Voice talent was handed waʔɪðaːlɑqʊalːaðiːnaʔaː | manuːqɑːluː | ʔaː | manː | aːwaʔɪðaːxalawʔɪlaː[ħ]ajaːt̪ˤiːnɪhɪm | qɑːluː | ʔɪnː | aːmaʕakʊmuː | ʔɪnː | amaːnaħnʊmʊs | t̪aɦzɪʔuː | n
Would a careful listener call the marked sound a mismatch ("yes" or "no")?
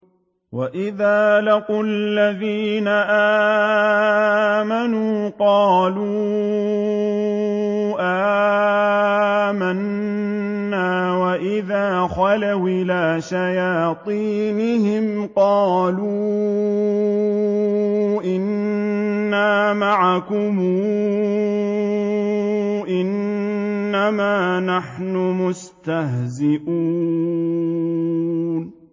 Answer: yes